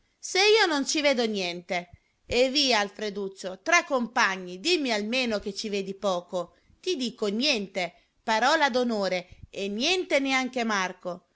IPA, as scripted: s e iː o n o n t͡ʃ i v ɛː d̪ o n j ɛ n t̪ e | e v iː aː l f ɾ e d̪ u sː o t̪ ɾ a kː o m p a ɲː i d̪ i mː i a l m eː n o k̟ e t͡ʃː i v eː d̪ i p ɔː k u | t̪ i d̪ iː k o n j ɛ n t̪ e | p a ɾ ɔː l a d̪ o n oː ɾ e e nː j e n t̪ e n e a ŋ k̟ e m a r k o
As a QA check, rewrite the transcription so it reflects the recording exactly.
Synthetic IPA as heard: s e iː o n o n t͡ʃ i v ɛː d̪ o n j ɛ n t̪ e | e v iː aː l f ɾ e d̪ u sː o t̪ ɾ a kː o m p a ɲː i d̪ i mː i a l m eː n o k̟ e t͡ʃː i v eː d̪ i p ɔː k o | t̪ i d̪ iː k o n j ɛ n t̪ e | p a ɾ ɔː l a d̪ o n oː ɾ e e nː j ɛ n t̪ e n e a ŋ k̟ e m a r k o